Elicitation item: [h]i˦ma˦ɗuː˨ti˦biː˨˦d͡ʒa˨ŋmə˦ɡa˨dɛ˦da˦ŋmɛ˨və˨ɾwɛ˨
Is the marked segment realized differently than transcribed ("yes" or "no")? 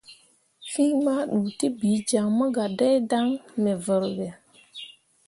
yes